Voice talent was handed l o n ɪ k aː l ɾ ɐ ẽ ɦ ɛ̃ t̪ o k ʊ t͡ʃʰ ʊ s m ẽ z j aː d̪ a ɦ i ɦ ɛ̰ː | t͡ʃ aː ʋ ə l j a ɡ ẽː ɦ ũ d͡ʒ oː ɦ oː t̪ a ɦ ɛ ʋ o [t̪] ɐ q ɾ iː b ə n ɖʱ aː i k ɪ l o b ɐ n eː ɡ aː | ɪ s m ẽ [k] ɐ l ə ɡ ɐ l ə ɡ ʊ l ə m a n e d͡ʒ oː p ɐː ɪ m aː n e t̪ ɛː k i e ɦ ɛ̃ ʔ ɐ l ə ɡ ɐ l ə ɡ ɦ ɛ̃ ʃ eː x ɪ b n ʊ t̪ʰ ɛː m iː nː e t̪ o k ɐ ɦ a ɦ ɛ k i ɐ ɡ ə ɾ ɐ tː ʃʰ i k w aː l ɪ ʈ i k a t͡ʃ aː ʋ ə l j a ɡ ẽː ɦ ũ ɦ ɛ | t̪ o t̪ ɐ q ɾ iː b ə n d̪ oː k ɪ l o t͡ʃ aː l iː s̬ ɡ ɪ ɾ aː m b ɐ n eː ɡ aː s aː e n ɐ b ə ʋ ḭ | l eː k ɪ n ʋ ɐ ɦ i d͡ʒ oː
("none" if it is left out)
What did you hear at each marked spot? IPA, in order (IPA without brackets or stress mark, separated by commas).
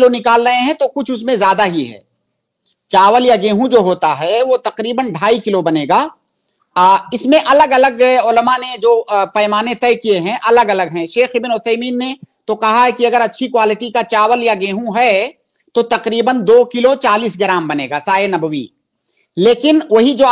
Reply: t̪, ʔ